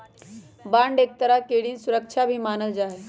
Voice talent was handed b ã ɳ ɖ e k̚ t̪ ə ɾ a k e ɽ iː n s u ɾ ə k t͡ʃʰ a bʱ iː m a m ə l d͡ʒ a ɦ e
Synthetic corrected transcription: b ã ɳ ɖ e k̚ t̪ ə ɾ a k e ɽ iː n s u ɾ ə k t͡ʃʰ a bʱ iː m a n ə l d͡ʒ a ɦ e